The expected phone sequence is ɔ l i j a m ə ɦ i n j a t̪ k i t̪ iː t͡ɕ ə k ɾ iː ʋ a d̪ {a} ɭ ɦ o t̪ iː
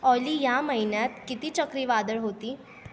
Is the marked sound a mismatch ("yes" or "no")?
yes